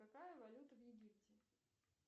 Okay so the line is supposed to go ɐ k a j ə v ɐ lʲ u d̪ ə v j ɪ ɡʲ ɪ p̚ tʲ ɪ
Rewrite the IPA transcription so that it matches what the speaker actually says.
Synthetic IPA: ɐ k a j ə v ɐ lʲ u t̪ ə v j ɪ ɡʲ i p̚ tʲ ɪ

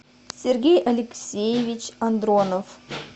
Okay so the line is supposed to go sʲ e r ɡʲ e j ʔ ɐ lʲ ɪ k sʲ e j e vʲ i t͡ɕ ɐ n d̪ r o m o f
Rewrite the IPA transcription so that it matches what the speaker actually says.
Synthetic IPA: sʲ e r ɡʲ e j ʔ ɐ lʲ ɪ k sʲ e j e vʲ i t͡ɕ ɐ n d̪ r o n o f

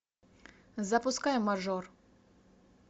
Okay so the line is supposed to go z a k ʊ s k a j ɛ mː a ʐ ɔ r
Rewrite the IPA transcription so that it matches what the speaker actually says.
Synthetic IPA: z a p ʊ s k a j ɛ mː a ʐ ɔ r

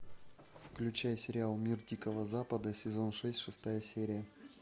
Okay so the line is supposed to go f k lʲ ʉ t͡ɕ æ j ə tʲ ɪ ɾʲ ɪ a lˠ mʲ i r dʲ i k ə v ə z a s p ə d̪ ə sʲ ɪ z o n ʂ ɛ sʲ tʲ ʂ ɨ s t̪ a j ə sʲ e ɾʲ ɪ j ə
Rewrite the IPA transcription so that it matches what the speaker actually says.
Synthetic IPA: f k lʲ ʉ t͡ɕ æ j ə sʲ ɪ ɾʲ ɪ a lˠ mʲ i r dʲ i k ə v ə z a p ə d̪ ə sʲ ɪ z o n ʂ ɛ sʲ tʲ ʂ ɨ s t̪ a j ə sʲ e ɾʲ ɪ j ə

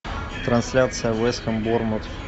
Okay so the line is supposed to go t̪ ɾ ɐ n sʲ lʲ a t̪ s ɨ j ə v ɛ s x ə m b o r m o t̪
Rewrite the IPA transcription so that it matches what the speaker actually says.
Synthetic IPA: t̪ ɾ ɐ n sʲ lʲ a t̪ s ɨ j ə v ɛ s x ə m b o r m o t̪

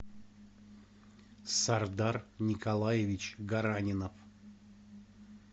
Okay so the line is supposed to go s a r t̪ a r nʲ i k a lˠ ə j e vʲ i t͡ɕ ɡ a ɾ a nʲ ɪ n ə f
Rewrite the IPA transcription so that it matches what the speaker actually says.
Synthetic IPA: s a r d̪ a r nʲ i k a lˠ a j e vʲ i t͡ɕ ɡ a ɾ a nʲ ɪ n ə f

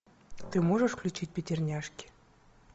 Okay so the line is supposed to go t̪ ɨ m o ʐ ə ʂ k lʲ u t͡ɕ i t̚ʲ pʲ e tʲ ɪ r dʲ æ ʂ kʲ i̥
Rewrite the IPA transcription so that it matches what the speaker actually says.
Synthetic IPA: t̪ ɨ m o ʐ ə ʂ k lʲ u t͡ɕ i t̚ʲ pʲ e tʲ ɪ r nʲ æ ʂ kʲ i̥

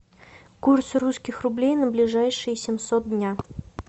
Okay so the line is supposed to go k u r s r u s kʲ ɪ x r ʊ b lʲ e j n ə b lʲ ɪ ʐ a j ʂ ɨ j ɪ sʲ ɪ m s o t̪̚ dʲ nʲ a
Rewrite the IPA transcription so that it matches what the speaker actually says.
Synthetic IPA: k u r s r u s kʲ ɪ x r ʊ b lʲ e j n ə b lʲ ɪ ʐ a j ʂ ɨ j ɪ sʲ ɪ m s o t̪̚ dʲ nʲ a

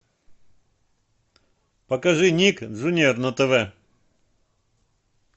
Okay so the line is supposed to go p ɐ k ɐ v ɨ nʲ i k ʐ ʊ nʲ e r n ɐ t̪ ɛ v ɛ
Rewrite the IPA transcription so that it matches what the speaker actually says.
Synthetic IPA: p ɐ k ɐ ʐ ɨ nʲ i k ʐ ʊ nʲ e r n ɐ t̪ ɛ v ɛ

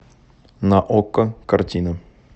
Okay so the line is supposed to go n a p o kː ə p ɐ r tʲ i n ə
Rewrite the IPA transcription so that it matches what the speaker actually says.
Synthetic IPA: n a ʔ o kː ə k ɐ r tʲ i n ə

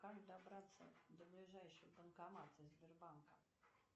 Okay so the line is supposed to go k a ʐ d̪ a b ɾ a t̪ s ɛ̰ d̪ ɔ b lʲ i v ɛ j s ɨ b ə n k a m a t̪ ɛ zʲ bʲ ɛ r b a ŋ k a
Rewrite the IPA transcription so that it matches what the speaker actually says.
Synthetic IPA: k a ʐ d̪ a b ɾ a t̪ s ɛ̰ d̪ ɔ b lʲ i ʐ ɛ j ʂ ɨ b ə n k a m a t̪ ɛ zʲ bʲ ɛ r b a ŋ k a

